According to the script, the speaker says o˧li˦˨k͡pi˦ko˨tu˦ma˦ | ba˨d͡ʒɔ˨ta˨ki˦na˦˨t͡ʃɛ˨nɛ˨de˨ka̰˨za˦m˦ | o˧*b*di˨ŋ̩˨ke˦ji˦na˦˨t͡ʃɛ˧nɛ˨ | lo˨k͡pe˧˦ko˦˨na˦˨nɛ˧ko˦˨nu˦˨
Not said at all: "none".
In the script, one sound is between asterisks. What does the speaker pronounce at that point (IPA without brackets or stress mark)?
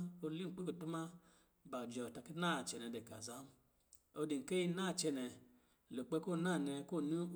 none